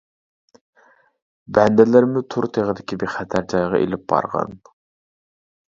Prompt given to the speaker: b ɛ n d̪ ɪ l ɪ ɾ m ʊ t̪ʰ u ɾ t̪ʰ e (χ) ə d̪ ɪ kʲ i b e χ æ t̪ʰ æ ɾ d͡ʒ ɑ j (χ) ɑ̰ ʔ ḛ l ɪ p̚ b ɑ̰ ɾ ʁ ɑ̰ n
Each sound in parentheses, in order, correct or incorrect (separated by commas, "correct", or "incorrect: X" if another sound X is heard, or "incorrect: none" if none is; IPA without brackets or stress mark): incorrect: ʁ, incorrect: ʁ